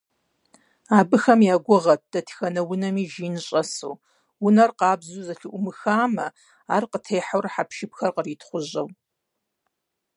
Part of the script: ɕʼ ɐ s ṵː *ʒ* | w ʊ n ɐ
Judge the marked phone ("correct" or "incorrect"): incorrect